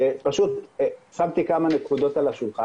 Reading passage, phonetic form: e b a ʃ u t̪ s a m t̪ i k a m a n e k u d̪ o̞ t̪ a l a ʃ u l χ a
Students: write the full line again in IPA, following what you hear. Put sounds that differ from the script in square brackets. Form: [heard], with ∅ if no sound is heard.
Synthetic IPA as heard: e [p] a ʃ u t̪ s a m t̪ i k a m a n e k u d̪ o̞ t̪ a l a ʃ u l χ a